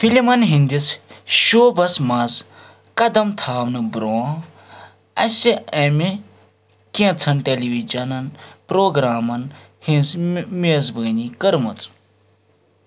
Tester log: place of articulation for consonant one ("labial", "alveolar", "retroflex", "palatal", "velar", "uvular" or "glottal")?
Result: labial